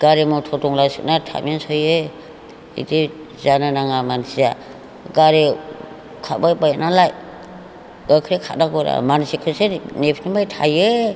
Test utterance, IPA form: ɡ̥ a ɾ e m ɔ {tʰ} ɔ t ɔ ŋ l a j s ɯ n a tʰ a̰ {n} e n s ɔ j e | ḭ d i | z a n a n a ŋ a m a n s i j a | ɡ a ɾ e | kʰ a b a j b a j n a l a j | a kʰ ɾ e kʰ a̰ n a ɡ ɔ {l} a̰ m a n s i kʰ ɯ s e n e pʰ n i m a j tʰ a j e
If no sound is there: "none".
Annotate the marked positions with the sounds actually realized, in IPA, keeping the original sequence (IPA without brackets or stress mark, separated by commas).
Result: tʰ, m, ɾ